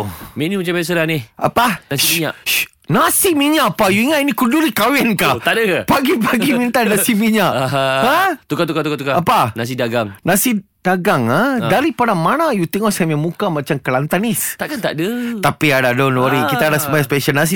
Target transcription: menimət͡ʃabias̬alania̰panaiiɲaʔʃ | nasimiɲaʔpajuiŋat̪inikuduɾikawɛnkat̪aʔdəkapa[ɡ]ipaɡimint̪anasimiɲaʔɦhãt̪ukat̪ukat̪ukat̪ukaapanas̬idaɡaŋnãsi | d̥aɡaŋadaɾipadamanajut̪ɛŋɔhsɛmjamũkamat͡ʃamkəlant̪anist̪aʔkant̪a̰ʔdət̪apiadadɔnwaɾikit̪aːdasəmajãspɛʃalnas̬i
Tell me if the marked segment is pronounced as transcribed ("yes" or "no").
yes